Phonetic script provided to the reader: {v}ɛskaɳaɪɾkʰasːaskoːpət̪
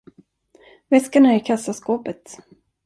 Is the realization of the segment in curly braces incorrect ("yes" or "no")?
no